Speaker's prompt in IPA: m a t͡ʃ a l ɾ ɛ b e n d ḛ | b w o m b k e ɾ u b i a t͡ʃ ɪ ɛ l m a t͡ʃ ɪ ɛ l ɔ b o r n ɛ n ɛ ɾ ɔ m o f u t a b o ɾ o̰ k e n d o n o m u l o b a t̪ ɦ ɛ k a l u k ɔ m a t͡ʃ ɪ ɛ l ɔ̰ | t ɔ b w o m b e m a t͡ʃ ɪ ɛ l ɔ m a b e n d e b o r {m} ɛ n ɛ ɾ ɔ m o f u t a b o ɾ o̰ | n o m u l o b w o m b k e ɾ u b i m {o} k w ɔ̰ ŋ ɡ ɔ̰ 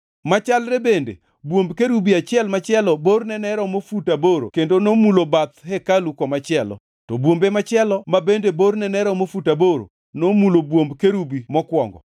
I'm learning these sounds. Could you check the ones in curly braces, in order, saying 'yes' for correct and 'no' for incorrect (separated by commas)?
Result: no, no